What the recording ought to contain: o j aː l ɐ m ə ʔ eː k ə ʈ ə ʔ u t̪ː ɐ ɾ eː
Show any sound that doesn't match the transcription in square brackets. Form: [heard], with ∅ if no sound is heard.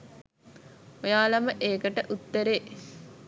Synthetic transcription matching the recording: o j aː l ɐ m ə ʔ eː k ə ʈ ə ʔ u t̪ː [ə] ɾ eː